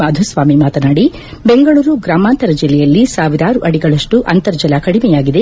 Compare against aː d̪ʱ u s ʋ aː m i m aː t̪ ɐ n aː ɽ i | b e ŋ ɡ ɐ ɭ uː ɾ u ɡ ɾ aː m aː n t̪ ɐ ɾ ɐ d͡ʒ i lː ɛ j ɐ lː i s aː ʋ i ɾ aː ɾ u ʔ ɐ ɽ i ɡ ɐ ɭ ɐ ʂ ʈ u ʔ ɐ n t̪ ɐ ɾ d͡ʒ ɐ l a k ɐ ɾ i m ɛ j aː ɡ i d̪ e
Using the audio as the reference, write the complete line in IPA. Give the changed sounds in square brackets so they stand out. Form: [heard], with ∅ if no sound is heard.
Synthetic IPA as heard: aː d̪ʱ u s ʋ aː m i m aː t̪ ɐ n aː ɽ i | b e ŋ ɡ ɐ ɭ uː ɾ u ɡ ɾ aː m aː n t̪ ɐ ɾ ɐ d͡ʒ i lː ɛ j ɐ lː i s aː ʋ i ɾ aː ɾ u ʔ ɐ ɽ i ɡ ɐ ɭ ɐ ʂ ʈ u ʔ ɐ n t̪ ɐ ɾ d͡ʒ ɐ l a k ɐ [ɽ] i m ɛ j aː ɡ i d̪ e